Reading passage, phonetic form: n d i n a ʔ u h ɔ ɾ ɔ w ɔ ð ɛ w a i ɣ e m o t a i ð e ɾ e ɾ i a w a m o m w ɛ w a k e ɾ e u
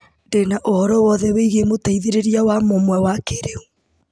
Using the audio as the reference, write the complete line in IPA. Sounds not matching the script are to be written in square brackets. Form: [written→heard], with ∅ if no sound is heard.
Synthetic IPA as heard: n d [i→e] n a ʔ [u→o] h ɔ ɾ ɔ w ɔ ð ɛ w [a→e] i ɣ e m o t a i ð e ɾ e ɾ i a w a m o m w ɛ w a k e ɾ e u